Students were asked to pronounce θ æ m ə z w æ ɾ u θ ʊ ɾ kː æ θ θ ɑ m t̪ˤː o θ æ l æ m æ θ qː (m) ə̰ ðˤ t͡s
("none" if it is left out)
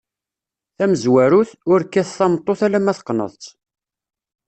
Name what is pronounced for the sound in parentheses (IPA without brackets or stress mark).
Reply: n